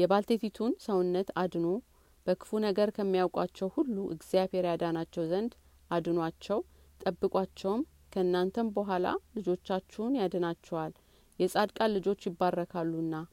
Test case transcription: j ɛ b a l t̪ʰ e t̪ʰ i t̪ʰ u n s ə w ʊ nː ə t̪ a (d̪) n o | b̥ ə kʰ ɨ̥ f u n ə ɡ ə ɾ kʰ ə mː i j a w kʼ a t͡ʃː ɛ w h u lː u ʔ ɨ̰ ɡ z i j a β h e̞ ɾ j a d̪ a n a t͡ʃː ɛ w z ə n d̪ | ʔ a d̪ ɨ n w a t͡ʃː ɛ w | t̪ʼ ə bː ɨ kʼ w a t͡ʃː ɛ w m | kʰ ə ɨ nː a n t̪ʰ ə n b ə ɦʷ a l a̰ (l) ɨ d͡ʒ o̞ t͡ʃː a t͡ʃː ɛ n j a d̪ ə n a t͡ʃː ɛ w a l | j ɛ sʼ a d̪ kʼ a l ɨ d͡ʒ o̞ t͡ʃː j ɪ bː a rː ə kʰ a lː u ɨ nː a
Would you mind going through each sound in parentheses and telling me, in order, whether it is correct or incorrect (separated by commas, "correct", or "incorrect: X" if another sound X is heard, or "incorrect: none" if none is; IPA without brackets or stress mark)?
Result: correct, correct